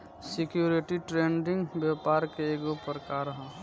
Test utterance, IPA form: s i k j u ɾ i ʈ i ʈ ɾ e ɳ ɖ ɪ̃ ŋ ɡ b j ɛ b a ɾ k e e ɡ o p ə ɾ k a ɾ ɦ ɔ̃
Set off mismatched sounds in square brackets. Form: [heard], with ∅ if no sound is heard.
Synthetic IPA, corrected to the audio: s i k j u ɾ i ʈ i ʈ ɾ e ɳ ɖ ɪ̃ ŋ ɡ b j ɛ [p] a ɾ k e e ɡ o p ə ɾ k a ɾ ɦ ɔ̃

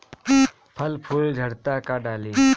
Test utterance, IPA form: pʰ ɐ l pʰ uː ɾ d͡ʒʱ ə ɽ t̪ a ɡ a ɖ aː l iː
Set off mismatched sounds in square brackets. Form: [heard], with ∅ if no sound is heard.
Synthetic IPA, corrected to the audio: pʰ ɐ l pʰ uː [l] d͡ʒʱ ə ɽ t̪ a [k] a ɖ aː l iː

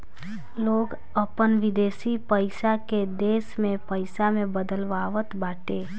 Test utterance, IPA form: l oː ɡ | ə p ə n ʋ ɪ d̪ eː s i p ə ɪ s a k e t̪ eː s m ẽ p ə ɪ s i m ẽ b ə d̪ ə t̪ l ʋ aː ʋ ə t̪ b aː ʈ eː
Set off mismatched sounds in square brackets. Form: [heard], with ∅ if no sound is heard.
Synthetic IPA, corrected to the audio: l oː ɡ | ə p ə n ʋ ɪ d̪ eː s i p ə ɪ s a k e [d̪] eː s m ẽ p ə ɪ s [a] m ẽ b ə d̪ ə [∅] l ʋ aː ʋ ə t̪ b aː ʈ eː

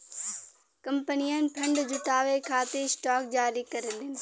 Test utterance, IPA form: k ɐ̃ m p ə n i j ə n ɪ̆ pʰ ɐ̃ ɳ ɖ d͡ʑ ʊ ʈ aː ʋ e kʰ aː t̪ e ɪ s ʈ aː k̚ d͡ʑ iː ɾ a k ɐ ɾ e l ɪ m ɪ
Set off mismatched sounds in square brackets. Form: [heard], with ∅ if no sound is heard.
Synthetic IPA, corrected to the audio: k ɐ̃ m p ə n i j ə n ɪ̆ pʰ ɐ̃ ɳ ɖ d͡ʑ ʊ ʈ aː ʋ e kʰ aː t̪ e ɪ s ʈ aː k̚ d͡ʑ [aː] ɾ [i] k ɐ ɾ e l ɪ [n] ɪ

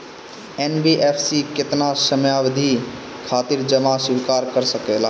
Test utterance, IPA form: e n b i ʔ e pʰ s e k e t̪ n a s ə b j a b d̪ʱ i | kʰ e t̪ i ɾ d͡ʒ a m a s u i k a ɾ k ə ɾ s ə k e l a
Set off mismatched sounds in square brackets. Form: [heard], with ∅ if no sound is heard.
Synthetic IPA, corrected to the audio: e n b i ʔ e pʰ s [i] k e t̪ n a s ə [m] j a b d̪ʱ i | kʰ [a] t̪ i ɾ d͡ʒ [ə] m a s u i k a ɾ k ə ɾ s ə k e l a

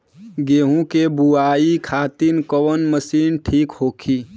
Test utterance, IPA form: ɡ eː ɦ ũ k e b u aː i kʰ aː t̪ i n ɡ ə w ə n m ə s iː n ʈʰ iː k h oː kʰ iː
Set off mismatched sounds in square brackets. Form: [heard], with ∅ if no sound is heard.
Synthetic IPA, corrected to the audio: ɡ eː ɦ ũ k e b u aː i kʰ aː t̪ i n [k] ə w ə n m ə s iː n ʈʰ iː k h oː kʰ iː

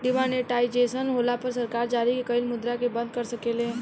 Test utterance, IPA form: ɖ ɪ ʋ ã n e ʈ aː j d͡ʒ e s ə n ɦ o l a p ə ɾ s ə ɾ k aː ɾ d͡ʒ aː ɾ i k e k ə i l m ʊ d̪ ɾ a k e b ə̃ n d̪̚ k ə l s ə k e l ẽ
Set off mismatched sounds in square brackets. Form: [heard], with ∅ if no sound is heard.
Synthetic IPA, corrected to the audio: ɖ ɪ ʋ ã n e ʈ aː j d͡ʒ e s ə n ɦ o l a p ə ɾ s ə ɾ k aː ɾ d͡ʒ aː ɾ i k e k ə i l m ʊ d̪ ɾ a k e b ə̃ n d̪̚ k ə [ɾ] s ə k e l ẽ

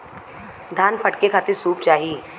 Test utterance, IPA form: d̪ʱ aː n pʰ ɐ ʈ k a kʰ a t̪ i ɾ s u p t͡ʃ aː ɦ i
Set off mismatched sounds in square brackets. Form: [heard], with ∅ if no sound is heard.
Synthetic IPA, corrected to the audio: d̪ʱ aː n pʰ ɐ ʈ k [e] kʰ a t̪ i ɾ s [uː] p t͡ʃ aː ɦ i

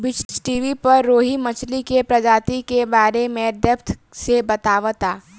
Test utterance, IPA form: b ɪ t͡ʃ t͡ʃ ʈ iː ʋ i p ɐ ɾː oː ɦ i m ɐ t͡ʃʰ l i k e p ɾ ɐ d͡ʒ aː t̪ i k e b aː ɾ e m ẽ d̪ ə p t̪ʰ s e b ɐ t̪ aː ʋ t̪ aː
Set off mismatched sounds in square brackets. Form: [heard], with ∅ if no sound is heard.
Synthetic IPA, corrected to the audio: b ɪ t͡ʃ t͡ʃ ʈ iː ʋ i p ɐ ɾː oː ɦ i m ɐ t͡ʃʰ l i k e p ɾ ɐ d͡ʒ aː t̪ i k e b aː ɾ e m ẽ d̪ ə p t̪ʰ s e b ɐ t̪ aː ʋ t̪ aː

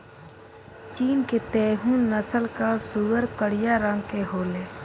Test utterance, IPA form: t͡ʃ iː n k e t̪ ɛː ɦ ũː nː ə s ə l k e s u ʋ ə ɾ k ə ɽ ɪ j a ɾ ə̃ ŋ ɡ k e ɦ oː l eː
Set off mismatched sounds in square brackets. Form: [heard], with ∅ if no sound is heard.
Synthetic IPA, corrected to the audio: t͡ʃ iː n k e t̪ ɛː ɦ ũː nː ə s ə l k [a] s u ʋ ə ɾ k ə ɽ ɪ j a ɾ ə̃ ŋ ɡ k e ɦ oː l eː

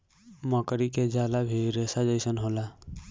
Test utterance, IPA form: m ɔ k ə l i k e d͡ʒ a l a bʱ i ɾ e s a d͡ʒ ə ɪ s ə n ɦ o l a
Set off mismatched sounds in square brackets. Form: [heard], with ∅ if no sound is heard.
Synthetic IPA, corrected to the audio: m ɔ k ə [ɾ] i k e d͡ʒ a l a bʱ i ɾ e s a d͡ʒ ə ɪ s ə n ɦ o l a

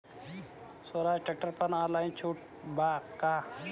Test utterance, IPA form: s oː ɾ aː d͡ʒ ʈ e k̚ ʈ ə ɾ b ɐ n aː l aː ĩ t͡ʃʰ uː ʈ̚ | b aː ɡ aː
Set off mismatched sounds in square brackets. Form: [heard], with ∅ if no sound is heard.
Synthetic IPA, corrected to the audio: s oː ɾ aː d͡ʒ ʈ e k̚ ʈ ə ɾ [p] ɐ n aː l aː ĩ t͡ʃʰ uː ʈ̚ | b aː [k] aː

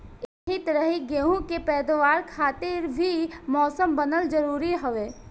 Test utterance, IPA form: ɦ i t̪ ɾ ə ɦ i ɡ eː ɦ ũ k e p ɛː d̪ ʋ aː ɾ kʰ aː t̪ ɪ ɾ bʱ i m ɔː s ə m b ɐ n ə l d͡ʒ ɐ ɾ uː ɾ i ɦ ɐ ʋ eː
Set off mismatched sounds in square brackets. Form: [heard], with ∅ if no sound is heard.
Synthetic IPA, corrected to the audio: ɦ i t̪ ɾ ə ɦ i ɡ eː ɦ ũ k e p ɛː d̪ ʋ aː ɾ kʰ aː t̪ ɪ ɾ bʱ i m ɔː s ə m b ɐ n ə l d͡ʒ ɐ ɾ uː ɾ i ɦ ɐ ʋ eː

